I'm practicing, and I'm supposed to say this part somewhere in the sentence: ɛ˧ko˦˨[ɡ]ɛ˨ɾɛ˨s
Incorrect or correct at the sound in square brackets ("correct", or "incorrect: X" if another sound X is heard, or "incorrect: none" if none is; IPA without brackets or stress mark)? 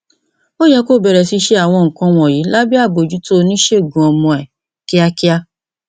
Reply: incorrect: b